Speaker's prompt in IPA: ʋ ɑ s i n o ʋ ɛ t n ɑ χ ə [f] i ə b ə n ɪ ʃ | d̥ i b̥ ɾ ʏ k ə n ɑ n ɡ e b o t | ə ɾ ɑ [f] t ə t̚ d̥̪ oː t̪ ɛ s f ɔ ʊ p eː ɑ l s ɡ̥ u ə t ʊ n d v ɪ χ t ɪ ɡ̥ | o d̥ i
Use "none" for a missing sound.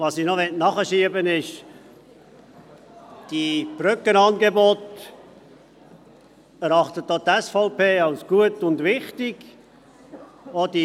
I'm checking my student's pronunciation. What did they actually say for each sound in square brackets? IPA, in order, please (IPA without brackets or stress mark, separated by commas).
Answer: ʃ, χ